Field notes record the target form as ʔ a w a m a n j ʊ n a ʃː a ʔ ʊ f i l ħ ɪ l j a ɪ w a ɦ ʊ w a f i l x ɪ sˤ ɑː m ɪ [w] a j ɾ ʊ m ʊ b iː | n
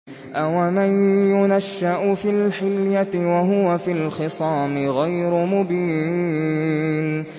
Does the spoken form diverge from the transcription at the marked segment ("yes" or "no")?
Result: yes